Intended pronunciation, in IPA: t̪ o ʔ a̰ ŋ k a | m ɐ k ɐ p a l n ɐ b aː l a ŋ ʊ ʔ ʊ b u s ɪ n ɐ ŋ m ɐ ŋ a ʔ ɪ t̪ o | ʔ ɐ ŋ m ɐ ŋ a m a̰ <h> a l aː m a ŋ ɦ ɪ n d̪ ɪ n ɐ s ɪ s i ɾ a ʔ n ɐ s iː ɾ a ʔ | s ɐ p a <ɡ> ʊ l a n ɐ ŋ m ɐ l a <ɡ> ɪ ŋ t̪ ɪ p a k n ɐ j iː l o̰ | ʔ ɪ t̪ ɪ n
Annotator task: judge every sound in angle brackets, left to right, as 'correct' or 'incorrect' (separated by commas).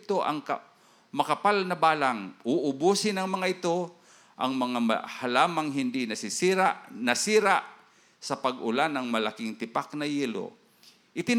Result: correct, correct, incorrect